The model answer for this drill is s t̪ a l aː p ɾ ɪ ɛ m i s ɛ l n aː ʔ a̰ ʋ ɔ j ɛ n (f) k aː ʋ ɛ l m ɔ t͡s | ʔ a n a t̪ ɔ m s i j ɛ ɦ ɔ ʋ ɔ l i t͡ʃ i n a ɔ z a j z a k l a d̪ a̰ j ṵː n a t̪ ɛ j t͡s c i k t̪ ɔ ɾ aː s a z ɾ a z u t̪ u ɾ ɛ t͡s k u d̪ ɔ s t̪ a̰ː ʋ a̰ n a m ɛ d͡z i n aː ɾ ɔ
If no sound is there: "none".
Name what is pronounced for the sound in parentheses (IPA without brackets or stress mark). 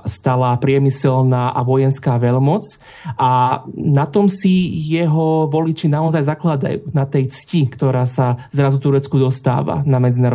s